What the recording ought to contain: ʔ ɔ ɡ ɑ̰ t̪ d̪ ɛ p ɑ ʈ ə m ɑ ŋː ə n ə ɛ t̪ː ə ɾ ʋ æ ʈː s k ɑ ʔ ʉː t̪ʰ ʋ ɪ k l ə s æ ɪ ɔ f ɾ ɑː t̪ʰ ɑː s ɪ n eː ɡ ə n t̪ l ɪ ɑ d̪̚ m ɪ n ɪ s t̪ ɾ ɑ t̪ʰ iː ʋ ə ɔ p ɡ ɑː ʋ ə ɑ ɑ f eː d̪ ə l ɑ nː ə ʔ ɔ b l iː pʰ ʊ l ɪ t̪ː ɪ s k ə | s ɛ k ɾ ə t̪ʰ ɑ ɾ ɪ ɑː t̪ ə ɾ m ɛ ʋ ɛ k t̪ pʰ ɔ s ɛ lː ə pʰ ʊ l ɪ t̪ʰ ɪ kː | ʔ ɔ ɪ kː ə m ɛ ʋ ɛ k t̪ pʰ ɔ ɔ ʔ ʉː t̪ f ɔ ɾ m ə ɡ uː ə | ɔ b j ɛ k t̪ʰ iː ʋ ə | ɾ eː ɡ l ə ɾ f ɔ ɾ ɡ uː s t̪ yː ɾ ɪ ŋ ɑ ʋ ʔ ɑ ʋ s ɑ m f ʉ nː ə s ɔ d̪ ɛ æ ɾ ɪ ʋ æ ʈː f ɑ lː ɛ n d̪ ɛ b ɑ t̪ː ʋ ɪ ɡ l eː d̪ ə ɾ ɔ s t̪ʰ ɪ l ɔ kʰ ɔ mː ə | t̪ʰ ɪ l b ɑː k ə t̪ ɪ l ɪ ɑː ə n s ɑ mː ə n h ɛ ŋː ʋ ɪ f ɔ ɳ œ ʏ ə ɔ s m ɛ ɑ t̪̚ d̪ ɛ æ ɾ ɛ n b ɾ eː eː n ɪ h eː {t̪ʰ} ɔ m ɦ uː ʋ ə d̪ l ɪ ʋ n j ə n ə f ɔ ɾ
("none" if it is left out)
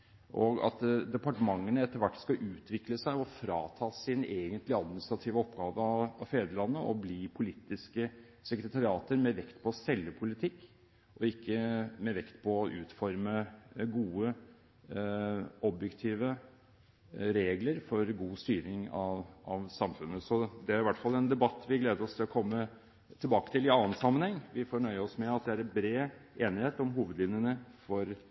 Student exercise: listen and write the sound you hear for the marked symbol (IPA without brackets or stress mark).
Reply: t̪